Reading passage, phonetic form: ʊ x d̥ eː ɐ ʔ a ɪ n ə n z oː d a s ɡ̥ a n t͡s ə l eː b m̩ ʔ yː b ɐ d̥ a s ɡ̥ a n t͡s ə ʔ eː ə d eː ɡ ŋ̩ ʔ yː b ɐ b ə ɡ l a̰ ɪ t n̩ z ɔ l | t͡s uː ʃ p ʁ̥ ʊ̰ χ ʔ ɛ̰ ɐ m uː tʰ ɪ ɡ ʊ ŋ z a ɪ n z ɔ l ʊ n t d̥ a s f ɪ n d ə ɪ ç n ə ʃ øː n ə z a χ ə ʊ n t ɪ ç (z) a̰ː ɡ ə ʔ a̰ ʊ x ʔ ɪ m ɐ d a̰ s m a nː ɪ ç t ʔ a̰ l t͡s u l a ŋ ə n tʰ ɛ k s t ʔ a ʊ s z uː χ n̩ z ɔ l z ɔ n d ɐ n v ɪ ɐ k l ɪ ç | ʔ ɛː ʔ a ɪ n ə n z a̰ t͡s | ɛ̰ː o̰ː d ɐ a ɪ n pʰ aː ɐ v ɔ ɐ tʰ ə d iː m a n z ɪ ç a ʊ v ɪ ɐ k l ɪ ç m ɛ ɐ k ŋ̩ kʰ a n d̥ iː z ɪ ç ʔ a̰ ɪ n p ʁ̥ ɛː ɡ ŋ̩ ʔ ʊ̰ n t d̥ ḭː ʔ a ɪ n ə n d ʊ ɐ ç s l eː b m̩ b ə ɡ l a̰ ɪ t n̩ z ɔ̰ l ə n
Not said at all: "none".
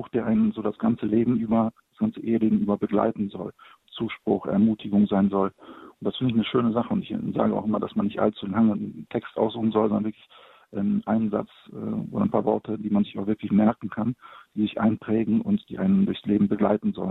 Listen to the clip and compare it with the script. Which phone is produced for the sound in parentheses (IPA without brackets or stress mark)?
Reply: z